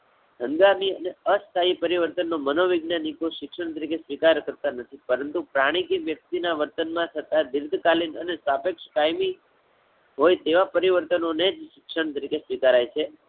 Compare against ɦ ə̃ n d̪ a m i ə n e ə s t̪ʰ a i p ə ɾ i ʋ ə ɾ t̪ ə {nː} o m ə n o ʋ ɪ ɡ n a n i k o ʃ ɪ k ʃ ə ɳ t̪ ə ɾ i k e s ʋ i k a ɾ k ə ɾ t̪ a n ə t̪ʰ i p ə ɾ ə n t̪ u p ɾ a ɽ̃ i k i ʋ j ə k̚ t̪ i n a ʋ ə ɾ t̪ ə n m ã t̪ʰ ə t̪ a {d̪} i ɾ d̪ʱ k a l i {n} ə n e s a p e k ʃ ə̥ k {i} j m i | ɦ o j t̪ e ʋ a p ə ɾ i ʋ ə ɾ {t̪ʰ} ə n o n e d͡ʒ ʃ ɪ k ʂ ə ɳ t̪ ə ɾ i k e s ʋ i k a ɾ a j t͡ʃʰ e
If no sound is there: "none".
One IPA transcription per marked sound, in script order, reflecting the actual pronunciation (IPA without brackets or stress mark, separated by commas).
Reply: nː, d̪, n, a, t̪